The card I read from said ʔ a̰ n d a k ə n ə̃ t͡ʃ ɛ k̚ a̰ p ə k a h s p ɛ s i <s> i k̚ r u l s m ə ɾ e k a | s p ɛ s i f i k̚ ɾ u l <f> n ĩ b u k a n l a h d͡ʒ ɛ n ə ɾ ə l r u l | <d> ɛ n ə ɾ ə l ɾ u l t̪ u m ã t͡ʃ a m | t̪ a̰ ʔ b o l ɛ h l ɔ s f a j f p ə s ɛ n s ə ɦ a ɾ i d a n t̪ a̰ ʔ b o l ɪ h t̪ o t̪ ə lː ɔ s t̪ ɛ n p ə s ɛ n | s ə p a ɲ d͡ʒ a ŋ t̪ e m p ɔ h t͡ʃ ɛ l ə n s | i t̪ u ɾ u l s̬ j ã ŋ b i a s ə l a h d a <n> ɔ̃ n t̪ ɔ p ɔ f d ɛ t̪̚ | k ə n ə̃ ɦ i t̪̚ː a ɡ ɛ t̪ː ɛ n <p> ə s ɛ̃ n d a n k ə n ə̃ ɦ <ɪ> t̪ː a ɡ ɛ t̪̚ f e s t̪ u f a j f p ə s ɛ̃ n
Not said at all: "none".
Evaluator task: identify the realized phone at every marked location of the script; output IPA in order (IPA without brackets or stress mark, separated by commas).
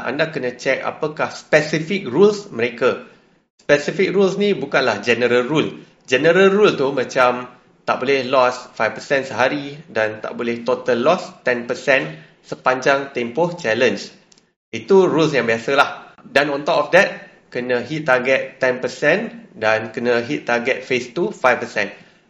f, s, d͡ʒ, n, p, i